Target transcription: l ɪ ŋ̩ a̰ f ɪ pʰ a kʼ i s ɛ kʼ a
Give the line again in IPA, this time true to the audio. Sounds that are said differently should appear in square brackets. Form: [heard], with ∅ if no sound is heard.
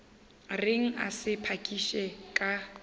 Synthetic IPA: [r] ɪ ŋ̩ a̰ [s] ɪ pʰ a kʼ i [ʃ] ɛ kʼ a